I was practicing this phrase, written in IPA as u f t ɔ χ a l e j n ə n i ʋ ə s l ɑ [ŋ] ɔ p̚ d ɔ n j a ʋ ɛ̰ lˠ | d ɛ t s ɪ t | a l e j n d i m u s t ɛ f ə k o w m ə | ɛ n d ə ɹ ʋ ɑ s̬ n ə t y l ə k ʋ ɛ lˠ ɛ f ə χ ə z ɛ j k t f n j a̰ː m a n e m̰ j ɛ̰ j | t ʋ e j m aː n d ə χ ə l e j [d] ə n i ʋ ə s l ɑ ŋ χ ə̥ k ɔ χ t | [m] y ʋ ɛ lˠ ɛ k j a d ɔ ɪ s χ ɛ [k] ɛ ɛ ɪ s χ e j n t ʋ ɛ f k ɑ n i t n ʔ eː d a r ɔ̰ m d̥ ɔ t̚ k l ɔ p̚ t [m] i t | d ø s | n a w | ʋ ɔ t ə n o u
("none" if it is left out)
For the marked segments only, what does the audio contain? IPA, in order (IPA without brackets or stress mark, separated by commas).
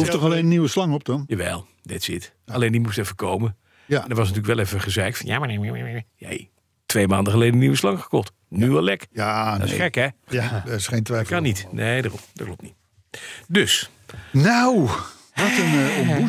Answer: ŋ, d, n, k, n